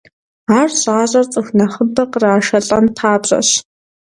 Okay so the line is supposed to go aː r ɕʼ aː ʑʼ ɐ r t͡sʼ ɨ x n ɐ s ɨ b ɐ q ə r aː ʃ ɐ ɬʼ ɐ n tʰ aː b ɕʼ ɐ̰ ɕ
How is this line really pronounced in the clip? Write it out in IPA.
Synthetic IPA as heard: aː r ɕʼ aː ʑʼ ɐ r t͡sʼ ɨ x n ɐ χ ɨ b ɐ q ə r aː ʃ ɐ ɬʼ ɐ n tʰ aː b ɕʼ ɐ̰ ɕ